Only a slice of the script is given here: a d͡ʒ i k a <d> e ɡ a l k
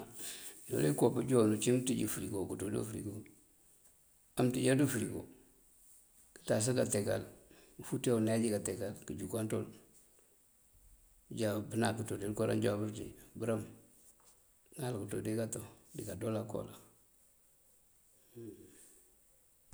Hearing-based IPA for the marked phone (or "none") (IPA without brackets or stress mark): t